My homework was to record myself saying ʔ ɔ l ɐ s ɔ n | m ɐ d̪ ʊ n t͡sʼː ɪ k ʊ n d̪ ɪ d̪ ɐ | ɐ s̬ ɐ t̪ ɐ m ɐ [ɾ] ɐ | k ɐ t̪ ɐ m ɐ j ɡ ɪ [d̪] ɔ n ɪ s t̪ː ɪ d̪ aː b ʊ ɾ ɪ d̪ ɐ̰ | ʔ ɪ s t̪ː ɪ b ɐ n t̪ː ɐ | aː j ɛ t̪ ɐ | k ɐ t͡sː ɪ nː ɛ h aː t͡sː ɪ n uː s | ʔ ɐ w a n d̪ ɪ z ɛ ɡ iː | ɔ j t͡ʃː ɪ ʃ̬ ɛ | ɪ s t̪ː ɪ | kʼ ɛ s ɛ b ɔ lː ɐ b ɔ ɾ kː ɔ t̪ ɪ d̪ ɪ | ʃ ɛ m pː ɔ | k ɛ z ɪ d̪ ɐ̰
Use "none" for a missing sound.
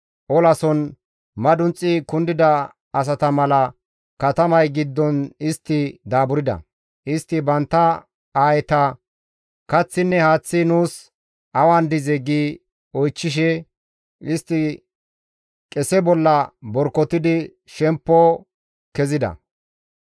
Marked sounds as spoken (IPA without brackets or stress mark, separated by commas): l, d̪ː